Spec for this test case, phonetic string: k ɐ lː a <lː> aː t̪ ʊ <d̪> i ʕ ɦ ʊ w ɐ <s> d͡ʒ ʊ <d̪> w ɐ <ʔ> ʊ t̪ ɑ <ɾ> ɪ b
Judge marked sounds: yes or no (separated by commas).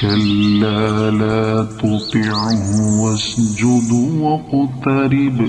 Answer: no, no, yes, yes, no, yes